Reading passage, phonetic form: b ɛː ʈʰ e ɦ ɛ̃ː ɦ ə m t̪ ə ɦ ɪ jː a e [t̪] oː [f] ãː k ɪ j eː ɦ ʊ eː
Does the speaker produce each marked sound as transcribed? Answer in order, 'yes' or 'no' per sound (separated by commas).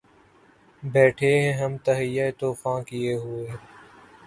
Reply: yes, yes